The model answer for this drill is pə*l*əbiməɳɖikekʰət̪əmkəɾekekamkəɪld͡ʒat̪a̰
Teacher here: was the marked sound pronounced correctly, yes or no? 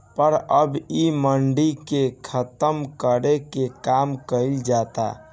no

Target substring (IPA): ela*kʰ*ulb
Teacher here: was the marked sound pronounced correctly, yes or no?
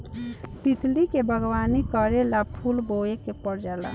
no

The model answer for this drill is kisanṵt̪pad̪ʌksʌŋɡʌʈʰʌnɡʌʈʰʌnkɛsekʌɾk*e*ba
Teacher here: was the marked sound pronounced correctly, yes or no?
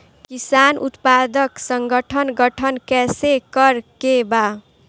yes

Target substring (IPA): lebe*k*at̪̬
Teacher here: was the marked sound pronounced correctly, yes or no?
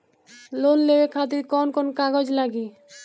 no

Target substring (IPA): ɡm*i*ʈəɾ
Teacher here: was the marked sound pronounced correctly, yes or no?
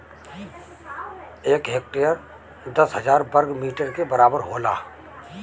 no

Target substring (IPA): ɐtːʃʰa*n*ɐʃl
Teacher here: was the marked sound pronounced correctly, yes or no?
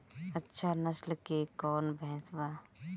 yes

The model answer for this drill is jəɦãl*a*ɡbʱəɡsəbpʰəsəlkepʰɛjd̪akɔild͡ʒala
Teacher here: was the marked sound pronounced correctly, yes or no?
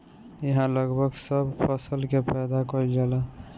no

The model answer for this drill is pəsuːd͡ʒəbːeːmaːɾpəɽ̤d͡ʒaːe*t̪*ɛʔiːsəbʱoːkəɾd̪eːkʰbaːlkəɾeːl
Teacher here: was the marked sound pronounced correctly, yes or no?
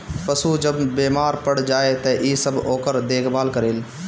yes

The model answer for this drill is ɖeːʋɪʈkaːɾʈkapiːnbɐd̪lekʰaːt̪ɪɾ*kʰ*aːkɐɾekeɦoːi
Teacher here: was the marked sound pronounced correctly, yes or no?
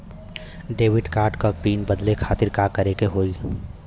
no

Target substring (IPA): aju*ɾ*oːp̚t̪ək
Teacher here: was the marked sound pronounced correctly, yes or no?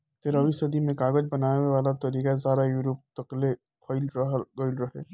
yes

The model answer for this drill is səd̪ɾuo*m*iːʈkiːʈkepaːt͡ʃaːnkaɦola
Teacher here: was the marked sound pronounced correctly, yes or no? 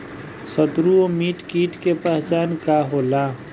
yes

